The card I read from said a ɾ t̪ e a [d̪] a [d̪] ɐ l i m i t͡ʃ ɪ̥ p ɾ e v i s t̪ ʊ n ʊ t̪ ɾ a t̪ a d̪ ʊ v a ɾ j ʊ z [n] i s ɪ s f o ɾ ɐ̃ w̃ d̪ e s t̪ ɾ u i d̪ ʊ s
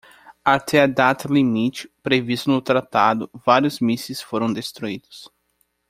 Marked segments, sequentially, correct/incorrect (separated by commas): correct, incorrect, incorrect